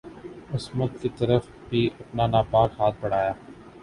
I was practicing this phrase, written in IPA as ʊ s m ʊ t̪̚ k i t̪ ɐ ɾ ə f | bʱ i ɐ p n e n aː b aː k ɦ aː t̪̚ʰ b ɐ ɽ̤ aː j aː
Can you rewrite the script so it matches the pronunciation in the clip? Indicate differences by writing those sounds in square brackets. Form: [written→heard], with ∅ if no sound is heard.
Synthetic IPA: ʊ s m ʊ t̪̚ k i t̪ ɐ ɾ ə f | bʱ i ɐ p n [e→a] n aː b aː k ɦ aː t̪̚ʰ b ɐ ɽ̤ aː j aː